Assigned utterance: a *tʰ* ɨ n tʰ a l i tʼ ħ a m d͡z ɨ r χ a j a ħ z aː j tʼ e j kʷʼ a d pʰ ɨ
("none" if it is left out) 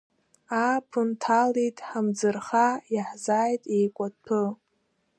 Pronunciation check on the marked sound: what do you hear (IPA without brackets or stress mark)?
pʰ